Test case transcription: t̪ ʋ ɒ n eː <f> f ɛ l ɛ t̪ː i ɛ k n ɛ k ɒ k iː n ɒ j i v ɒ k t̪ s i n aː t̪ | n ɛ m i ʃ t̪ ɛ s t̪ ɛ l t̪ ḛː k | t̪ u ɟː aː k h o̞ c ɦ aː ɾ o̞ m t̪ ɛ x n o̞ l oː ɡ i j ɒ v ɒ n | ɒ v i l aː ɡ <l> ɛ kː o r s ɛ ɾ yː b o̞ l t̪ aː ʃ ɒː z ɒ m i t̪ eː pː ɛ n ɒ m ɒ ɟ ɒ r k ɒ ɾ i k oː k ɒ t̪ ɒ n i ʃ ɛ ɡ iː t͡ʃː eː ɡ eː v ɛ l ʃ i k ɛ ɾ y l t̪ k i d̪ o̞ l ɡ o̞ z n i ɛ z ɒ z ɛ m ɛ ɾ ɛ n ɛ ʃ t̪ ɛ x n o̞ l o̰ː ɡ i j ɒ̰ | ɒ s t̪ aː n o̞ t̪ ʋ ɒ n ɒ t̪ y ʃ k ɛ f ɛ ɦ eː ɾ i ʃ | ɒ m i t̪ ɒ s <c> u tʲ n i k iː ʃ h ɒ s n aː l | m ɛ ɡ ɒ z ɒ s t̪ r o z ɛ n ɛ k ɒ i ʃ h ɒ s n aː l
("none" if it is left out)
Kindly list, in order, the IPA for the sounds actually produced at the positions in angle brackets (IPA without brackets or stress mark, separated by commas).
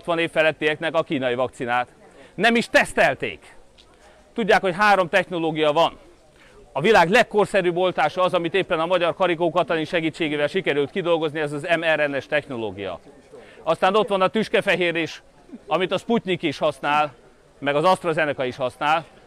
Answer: f, l, p